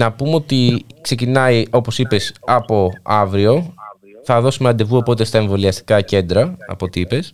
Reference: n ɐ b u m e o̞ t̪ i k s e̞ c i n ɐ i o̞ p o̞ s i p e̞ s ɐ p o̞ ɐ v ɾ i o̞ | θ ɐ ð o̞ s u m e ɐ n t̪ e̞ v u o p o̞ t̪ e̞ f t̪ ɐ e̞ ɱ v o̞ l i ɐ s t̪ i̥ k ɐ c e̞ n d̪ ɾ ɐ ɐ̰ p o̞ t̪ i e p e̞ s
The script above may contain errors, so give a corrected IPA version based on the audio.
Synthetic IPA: n ɐ p u m e o̞ t̪ i k s e̞ c i n ɐ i o̞ p o̞ s i p e̞ s ɐ p o̞ ɐ v ɾ i o̞ | θ ɐ ð o̞ s u m e ɐ n d̪ e̞ v u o p o̞ t̪ e̞ s t̪ ɐ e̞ ɱ v o̞ l i ɐ s t̪ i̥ k ɐ c e̞ n d̪ ɾ ɐ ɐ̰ p o̞ t̪ i i p e̞ s